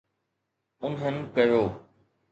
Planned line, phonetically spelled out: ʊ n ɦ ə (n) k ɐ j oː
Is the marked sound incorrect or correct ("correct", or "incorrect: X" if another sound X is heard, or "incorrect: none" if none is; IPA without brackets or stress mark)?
correct